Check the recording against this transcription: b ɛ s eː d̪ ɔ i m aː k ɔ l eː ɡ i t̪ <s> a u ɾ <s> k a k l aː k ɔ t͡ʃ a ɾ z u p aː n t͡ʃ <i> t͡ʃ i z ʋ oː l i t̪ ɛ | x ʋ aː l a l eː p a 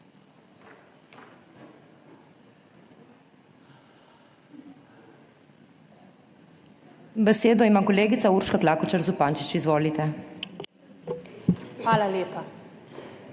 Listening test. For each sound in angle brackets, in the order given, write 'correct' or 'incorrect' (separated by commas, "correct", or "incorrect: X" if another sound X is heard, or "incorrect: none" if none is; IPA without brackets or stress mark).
correct, incorrect: ʃ, correct